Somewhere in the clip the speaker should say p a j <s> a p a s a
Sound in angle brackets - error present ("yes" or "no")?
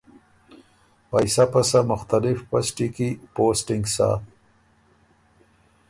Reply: no